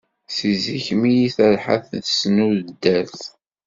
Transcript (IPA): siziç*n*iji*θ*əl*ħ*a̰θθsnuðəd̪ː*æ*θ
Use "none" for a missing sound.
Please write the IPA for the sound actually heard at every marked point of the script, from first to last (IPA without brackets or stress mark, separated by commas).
m, θ, ħ, æ